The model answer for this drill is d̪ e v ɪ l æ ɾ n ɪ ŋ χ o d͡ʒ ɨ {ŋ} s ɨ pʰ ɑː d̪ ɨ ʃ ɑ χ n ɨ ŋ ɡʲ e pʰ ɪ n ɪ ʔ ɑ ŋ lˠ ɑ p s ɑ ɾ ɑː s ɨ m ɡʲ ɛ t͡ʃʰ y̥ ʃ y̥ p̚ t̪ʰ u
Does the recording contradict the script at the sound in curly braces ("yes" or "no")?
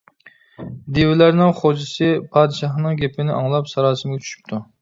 yes